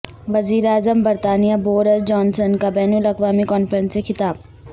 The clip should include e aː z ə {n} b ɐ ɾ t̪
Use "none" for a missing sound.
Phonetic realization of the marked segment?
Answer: m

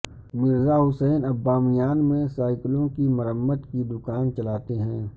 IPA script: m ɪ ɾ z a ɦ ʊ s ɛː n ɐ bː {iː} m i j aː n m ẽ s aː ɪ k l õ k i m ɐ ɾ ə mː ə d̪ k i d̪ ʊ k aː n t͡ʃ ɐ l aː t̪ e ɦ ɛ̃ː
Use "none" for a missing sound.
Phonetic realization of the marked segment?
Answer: aː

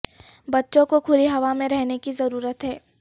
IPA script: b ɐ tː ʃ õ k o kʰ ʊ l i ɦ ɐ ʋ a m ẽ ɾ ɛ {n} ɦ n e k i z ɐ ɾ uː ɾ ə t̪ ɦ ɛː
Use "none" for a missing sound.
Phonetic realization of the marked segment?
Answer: none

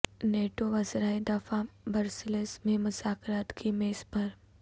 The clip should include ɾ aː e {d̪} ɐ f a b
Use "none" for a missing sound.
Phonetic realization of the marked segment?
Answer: d̪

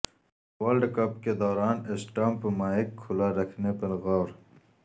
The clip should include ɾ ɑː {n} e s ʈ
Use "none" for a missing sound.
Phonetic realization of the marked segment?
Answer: n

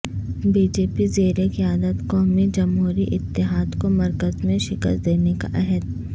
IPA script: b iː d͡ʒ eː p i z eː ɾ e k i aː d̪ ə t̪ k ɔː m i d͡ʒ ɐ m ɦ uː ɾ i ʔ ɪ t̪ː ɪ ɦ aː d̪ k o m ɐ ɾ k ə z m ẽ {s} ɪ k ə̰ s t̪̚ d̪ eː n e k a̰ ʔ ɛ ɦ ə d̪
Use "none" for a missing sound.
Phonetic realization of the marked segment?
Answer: ʃ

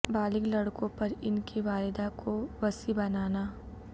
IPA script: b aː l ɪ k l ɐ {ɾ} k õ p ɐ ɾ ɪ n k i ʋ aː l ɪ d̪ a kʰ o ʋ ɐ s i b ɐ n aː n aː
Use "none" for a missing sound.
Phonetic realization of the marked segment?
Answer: ɽ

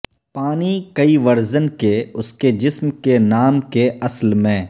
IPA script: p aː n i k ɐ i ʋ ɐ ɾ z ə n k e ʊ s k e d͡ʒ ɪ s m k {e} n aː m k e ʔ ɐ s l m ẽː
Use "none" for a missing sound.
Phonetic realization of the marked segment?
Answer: e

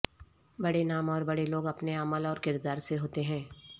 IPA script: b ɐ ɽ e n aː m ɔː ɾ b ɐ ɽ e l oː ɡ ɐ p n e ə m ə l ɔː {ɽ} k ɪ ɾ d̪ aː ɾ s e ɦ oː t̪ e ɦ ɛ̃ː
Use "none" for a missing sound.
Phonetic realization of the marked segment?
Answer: ɾ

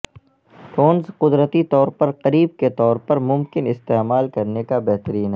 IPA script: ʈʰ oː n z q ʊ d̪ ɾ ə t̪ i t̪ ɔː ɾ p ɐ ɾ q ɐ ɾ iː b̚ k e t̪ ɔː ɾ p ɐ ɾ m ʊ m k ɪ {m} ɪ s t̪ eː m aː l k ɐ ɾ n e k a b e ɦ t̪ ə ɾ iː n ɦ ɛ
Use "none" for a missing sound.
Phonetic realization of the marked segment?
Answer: n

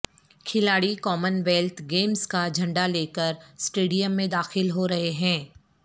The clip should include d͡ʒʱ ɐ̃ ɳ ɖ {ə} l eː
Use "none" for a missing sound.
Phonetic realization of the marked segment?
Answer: a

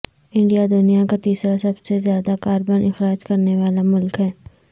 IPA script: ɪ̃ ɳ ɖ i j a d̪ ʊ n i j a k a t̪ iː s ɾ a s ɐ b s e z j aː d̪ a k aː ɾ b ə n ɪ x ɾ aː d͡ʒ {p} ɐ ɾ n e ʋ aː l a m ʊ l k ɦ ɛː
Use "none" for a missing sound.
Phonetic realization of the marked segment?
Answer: k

